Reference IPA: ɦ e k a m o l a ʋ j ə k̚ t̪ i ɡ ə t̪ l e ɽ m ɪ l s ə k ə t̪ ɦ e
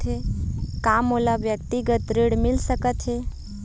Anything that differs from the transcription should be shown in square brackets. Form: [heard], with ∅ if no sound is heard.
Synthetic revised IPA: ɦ e k a m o l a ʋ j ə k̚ t̪ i ɡ ə t̪ [ɾ] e ɽ m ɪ l s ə k ə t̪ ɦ e